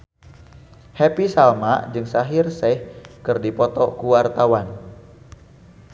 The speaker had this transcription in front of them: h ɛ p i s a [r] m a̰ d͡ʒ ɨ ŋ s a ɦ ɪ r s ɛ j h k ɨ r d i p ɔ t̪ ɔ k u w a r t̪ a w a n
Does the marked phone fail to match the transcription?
yes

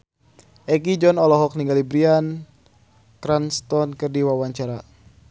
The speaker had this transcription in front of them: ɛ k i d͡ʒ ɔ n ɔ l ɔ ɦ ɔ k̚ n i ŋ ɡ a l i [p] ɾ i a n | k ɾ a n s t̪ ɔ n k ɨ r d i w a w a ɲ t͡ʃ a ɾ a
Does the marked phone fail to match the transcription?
yes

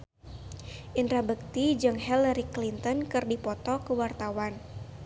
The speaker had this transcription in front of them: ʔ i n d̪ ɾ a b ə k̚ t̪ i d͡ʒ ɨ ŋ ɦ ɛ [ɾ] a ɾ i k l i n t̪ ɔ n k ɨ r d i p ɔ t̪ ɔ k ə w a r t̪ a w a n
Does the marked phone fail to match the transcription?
yes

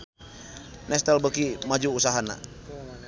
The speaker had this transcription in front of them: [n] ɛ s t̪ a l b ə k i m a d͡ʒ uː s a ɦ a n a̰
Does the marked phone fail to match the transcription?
no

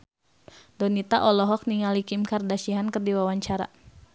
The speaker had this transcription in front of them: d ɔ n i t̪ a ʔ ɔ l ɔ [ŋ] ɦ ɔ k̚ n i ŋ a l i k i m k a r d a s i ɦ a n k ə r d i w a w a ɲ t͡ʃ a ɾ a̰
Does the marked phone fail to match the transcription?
yes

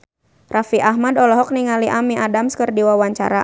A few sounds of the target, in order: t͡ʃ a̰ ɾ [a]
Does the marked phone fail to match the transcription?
no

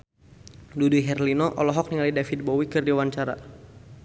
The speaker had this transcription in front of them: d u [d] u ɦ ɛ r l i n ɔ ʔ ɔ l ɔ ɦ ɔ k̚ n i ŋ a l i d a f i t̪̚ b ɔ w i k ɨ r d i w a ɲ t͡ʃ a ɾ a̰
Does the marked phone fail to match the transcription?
no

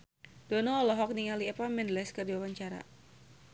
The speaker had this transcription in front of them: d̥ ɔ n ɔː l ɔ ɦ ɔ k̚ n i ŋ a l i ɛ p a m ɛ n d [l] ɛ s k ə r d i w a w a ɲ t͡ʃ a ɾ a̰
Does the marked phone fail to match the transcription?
no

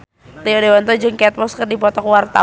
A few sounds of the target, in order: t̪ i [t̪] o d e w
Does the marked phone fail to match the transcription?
yes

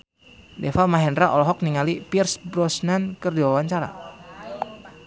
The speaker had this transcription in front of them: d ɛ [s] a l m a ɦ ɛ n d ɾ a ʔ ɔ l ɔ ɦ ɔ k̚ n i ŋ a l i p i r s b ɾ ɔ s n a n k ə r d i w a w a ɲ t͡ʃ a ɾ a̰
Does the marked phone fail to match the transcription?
yes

